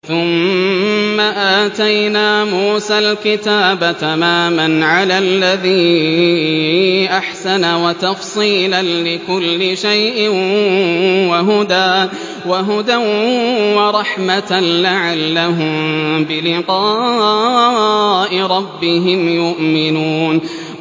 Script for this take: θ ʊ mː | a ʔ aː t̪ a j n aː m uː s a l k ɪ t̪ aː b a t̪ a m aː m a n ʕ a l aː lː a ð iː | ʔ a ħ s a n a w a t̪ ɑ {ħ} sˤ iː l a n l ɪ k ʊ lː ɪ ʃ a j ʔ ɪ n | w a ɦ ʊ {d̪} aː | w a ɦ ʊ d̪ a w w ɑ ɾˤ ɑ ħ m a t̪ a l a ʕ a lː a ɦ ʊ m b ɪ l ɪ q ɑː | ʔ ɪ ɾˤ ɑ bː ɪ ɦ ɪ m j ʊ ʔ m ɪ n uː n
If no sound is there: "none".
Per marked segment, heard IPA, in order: f, d̪

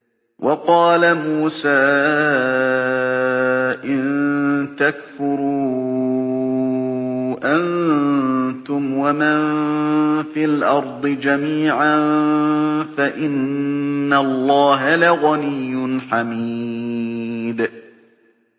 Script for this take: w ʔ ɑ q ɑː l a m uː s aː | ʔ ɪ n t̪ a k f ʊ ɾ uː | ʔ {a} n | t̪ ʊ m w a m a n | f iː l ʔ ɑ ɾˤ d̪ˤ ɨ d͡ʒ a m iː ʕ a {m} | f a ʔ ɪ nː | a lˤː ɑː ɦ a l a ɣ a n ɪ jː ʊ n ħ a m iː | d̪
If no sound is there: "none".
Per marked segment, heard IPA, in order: a, n

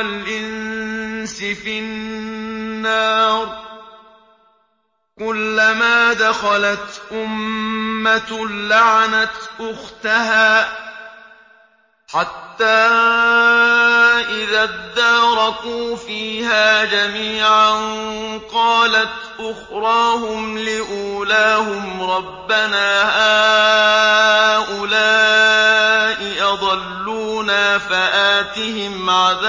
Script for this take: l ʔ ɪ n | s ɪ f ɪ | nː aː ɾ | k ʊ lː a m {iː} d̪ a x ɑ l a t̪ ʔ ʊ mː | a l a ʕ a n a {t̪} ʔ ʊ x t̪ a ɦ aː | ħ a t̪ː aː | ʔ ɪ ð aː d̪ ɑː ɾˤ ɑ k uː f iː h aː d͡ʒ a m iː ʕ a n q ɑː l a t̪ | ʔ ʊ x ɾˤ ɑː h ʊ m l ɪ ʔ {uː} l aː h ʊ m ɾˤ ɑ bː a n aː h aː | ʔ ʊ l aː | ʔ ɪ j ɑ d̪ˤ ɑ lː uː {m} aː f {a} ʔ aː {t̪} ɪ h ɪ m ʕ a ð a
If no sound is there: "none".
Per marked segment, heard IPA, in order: aː, t̪, uː, n, a, t̪

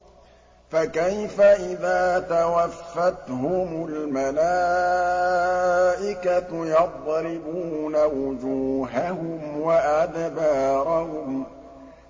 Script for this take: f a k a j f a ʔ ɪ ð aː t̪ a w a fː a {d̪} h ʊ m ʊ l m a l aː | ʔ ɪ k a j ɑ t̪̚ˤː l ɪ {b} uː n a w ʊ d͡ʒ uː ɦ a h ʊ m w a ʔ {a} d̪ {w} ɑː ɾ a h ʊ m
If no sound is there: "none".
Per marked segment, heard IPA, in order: t̪, b, a, b

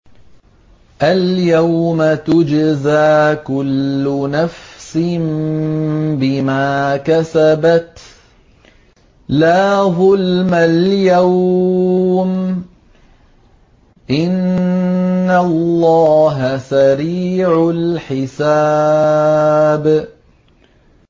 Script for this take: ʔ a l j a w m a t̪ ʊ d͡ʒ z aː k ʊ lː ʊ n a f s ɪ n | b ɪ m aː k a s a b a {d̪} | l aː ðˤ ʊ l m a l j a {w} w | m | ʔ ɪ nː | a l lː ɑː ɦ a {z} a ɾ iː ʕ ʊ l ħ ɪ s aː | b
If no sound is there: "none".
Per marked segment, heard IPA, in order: t̪, w, s

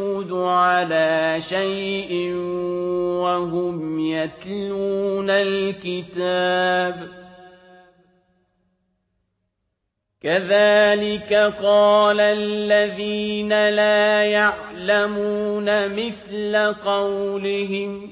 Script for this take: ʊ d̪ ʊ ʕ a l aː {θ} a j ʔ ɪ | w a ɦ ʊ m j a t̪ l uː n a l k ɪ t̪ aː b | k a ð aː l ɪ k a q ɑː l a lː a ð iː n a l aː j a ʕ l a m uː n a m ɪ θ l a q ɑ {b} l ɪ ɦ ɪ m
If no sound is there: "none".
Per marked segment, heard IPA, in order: ʃ, w

